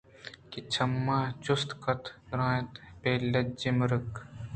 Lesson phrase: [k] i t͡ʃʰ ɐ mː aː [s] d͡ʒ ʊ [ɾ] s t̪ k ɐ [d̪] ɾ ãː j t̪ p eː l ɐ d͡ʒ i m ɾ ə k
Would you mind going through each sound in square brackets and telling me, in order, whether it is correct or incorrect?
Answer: correct, incorrect, incorrect, incorrect

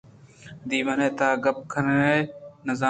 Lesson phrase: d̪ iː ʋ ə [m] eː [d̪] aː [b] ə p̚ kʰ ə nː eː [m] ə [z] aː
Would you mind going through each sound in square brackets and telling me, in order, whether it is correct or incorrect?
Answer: incorrect, incorrect, incorrect, incorrect, correct

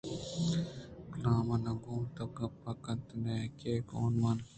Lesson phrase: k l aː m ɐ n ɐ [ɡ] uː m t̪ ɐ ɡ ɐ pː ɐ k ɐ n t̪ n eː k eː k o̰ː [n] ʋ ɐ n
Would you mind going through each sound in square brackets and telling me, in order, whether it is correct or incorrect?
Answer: correct, correct

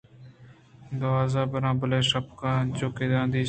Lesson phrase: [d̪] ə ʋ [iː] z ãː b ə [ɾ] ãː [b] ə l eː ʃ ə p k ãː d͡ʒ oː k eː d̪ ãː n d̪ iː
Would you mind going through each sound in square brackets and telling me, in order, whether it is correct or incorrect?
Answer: correct, incorrect, correct, correct

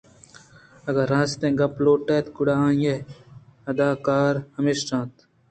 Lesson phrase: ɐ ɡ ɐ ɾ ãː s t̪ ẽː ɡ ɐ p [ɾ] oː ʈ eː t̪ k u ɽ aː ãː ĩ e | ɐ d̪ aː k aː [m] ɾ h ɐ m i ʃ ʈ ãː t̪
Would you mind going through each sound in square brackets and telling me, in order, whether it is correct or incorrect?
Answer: incorrect, incorrect

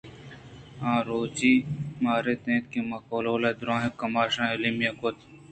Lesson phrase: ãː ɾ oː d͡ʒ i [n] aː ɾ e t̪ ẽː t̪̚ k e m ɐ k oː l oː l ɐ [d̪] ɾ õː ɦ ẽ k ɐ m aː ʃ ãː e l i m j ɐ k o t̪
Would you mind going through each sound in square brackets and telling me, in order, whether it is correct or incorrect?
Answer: incorrect, correct

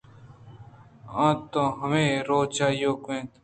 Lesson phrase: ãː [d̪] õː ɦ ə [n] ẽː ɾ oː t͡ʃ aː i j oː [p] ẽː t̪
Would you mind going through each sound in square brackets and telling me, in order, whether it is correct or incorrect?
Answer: incorrect, incorrect, incorrect

